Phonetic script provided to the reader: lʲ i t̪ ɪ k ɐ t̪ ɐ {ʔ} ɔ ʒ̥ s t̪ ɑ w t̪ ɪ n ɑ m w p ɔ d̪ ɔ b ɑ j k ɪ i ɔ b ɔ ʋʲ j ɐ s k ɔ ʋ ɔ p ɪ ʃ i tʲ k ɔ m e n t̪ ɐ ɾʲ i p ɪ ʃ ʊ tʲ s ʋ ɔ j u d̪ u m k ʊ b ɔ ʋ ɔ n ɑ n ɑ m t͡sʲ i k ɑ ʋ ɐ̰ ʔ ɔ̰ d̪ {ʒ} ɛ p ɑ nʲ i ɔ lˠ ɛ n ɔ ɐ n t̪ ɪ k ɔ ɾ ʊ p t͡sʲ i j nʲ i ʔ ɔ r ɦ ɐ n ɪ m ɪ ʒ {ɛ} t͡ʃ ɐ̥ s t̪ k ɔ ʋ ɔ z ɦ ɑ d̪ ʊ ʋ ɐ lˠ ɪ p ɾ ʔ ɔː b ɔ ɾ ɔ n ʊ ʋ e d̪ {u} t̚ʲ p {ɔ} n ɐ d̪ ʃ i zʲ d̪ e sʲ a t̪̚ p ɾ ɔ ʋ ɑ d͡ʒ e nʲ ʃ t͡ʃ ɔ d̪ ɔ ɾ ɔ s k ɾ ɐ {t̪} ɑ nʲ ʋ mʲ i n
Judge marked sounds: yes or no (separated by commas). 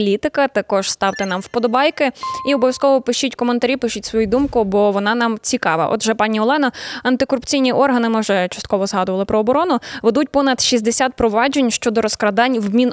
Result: no, yes, yes, yes, yes, no